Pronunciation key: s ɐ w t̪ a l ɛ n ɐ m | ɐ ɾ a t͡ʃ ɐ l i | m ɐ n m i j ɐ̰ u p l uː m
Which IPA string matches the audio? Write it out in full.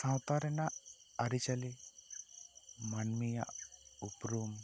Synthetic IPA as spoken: s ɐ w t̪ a ɾ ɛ n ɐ | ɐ ɾ i t͡ʃ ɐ l i | m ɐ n m i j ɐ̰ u p ɾ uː m